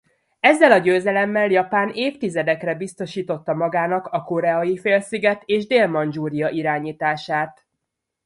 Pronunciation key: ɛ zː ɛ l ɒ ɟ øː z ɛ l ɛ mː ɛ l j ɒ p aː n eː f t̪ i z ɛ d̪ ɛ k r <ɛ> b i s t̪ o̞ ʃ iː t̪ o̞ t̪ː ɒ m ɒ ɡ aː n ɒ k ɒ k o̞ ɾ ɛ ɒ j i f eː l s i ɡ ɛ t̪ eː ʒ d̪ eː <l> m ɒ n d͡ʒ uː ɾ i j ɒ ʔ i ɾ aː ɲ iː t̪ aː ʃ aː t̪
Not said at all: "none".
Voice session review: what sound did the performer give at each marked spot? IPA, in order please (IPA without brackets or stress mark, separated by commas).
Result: ɛ, l